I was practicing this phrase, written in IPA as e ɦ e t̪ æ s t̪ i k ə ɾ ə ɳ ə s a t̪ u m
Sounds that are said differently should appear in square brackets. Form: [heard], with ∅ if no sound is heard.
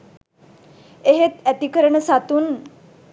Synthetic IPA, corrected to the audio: e ɦ e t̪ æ [∅] t̪ i k ə ɾ ə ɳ ə s a t̪ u [n]